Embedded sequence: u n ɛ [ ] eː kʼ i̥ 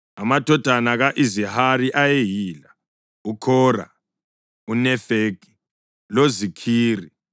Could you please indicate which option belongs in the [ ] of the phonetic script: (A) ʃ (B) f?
B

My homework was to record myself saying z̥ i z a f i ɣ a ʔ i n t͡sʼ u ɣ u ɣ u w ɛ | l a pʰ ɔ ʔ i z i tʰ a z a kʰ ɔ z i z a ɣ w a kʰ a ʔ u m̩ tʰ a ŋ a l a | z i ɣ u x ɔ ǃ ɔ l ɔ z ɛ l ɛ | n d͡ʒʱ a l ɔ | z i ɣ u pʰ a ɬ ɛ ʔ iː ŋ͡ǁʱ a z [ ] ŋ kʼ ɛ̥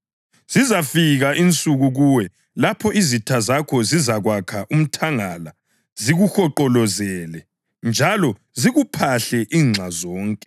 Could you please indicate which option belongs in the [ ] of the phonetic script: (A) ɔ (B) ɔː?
B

